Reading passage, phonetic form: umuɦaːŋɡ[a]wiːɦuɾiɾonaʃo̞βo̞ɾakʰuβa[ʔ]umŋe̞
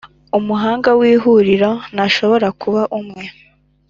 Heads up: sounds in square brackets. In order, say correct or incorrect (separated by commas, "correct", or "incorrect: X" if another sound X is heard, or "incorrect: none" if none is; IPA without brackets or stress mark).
correct, correct